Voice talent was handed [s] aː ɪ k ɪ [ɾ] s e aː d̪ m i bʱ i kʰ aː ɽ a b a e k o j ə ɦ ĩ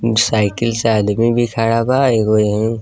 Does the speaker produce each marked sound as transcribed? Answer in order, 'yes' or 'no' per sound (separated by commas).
yes, no